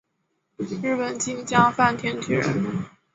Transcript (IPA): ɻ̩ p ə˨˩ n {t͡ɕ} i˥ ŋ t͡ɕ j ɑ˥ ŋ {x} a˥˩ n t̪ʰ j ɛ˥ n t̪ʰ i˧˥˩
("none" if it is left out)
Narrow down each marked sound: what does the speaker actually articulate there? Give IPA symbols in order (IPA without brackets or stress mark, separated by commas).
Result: t͡ɕ, f